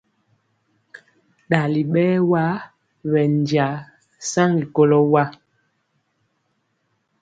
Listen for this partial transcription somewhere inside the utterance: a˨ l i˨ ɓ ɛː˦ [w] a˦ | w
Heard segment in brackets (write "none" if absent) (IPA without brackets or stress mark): w